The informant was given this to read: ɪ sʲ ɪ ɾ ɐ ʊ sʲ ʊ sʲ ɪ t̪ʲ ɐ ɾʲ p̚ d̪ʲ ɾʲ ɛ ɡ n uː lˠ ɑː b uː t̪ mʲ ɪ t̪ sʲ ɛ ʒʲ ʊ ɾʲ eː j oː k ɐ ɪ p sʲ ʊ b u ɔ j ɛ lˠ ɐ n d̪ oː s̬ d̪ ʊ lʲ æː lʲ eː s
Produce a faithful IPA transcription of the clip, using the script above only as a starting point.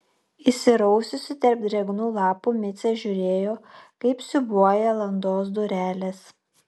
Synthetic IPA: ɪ sʲ ɪ ɾ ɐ ʊ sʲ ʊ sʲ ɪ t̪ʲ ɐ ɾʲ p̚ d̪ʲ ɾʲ ɛ ɡ n uː lˠ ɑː p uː mʲ ɪ t̪ sʲ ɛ ʒʲ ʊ ɾʲ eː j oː k ɐ ɪ p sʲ ʊ b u ɔ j ɛ lˠ ɐ n d̪ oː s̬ d̪ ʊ ɾʲ æː lʲ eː s